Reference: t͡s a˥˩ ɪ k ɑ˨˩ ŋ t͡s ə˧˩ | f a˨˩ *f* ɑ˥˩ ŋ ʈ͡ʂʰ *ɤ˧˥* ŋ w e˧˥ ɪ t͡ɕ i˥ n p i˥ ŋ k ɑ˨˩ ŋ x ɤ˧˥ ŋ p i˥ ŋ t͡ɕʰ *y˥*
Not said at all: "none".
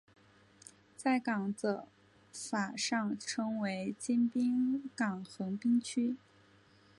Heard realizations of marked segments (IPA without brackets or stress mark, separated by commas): ʂ, ɤ˥, y˥